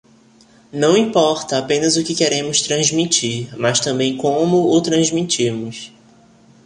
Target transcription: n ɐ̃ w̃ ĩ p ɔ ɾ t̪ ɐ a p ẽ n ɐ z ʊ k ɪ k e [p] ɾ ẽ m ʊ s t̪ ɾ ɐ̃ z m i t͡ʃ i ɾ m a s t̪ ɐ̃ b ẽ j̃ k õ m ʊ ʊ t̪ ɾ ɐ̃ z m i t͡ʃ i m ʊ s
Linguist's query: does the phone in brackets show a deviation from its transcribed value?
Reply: yes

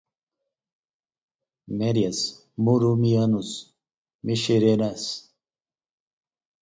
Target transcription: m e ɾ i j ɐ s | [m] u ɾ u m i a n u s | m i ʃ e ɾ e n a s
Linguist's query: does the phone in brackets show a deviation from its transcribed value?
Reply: no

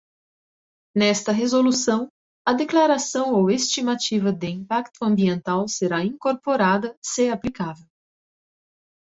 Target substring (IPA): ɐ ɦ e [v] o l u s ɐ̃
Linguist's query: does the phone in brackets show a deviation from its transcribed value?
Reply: yes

